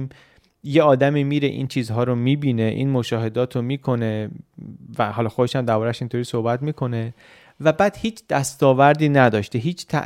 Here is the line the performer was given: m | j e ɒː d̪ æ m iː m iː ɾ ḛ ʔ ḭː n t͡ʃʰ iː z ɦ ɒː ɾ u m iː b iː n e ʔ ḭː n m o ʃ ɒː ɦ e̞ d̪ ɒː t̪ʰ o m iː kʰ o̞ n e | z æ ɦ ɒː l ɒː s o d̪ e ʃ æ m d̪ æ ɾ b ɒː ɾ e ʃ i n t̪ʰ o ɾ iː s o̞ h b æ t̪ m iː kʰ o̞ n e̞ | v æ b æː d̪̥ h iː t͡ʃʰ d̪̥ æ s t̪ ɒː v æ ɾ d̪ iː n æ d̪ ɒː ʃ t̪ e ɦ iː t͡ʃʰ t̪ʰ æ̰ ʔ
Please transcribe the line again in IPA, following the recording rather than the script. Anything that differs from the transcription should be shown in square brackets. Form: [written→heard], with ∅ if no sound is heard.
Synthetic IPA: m | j e ɒː d̪ æ m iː m iː ɾ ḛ ʔ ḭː n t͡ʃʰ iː z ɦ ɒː ɾ [u→o] m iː b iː n e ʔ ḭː n m o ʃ ɒː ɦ e̞ d̪ ɒː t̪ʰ o m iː kʰ o̞ n e | [z→v] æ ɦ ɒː l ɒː [s→x] o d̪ e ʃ æ m d̪ æ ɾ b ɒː ɾ [e→æ] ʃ i n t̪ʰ o ɾ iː s o̞ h b æ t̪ m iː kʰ o̞ n e̞ | v æ b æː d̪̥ h iː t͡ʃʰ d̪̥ æ s t̪ ɒː v æ ɾ d̪ iː n æ d̪ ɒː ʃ t̪ e ɦ iː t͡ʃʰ t̪ʰ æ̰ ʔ